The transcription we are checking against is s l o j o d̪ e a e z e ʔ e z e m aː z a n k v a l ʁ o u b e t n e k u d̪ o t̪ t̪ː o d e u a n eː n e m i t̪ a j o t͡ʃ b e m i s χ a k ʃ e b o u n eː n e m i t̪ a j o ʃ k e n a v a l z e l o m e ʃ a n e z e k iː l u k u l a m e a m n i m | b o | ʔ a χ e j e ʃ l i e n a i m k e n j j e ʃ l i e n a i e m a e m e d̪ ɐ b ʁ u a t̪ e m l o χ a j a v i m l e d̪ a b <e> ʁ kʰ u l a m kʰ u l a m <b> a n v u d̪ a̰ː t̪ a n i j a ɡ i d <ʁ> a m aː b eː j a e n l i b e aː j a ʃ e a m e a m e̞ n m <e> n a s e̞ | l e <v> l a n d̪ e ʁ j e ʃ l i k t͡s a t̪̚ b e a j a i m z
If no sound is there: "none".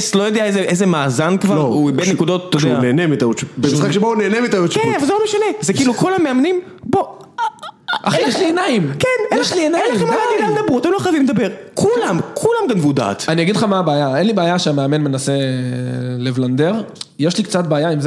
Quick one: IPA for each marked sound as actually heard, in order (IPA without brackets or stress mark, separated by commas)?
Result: e, ɡ, χ, e, v